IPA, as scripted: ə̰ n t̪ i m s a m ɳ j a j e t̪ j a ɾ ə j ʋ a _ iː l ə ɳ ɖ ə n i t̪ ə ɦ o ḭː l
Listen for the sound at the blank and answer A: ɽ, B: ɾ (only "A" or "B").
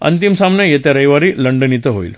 B